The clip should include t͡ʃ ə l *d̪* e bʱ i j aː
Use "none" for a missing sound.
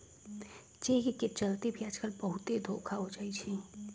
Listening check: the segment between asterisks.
t̪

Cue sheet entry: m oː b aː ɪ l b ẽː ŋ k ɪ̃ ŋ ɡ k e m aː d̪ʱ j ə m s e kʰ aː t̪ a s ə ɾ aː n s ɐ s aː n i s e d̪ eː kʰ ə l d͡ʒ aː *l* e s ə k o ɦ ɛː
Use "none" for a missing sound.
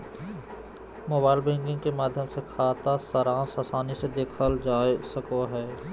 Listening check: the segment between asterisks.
none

